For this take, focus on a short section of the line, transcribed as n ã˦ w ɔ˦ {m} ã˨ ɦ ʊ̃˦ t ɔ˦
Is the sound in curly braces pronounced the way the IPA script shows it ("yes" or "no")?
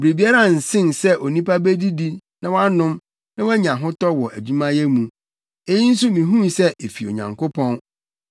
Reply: no